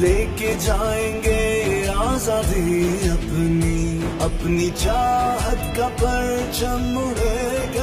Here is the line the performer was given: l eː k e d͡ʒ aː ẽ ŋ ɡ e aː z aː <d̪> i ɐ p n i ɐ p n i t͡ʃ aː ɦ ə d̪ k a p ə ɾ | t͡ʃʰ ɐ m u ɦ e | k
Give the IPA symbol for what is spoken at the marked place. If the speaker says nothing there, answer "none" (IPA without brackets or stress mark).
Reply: d̪